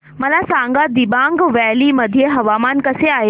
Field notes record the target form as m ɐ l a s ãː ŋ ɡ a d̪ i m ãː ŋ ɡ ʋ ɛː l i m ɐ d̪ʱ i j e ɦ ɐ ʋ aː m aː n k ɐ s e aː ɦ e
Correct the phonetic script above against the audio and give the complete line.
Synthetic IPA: m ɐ l a s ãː ŋ ɡ a d̪ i b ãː ŋ ɡ ʋ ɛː l i m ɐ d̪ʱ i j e ɦ ɐ ʋ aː m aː n k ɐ s e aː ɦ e

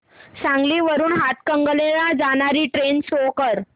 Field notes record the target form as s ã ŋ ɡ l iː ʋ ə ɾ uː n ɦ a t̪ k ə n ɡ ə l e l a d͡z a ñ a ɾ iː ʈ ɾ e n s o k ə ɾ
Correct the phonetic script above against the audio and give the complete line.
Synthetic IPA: s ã ŋ ɡ l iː ʋ ə ɾ uː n ɦ a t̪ k ə ŋ ɡ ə l e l a d͡z a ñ a ɾ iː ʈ ɾ e n s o k ə ɾ

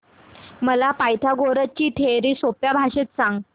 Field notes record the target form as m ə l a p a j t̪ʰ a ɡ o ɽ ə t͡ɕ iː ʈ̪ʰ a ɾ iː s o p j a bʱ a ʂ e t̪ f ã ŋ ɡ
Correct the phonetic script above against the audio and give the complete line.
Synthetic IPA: m ə l a p a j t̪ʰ a ɡ o ɾ ə t͡ɕ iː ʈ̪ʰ e ɾ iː s o p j a bʱ a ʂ e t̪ s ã ŋ ɡ

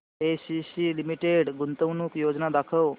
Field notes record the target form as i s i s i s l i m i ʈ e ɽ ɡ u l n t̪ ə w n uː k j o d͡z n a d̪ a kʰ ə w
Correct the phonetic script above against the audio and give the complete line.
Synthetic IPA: e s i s i l i m i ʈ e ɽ ɡ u n t̪ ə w n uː k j o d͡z n a d̪ a kʰ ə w

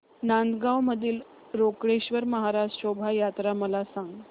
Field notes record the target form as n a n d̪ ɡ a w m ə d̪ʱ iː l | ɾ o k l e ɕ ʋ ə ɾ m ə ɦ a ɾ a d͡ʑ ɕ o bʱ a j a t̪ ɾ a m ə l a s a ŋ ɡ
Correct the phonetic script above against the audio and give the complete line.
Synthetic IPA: n a n d̪ ɡ a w m ə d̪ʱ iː l | ɾ o k ɽ e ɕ ʋ ə ɾ m ə ɦ a ɾ a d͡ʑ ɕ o bʱ a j a t̪ ɾ a m ə l a s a ŋ ɡ

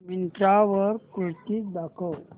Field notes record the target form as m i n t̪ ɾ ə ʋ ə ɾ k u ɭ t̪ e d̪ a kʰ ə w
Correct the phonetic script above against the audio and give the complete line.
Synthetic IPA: m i n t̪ ɾ a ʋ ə ɾ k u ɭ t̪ i d̪ a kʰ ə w

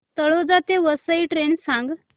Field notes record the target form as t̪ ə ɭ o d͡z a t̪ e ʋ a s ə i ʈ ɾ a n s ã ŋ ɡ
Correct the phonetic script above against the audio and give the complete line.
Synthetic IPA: t̪ ə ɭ o d͡z a t̪ e ʋ ə s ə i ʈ ɾ e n s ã ŋ ɡ

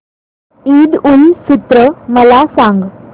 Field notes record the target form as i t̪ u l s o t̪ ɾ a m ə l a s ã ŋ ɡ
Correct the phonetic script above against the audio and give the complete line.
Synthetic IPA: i d̪ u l s u t̪ ɾ ə m ə l a s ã ŋ ɡ

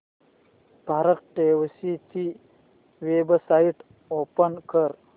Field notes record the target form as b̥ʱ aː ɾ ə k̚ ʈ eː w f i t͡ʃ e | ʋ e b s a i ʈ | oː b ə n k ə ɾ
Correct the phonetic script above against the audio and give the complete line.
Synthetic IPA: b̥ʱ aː ɾ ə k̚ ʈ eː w s i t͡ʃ i | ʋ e b s a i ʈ | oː p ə n k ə ɾ

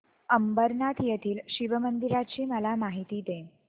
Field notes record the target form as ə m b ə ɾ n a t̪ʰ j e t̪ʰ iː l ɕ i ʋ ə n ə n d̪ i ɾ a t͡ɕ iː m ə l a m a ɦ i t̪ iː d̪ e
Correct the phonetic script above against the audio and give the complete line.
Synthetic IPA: ə m b ə ɾ n a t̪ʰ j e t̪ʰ iː l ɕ i ʋ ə m ə n d̪ i ɾ a t͡ɕ iː m ə l a m a ɦ i t̪ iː d̪ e

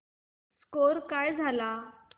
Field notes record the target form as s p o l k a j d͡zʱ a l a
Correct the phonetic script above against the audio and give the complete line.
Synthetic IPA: s k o ɾ k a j d͡zʱ a l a

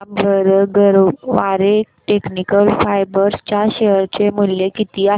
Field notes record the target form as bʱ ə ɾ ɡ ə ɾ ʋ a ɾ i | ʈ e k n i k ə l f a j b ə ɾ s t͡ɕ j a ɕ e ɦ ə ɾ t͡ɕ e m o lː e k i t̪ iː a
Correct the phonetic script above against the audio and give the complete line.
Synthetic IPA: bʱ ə ɾ ɡ ə ɾ ʋ a ɾ e | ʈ e k n i k ə l f a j b ə ɾ s t͡ɕ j a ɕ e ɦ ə ɾ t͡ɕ e m u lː e k i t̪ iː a

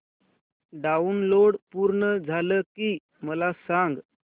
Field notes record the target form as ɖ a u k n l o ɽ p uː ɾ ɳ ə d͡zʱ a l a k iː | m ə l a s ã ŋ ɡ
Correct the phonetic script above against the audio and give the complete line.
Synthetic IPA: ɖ a u n l o ɽ p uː ɾ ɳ ə d͡zʱ a l ə k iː | m ə l a s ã ŋ ɡ

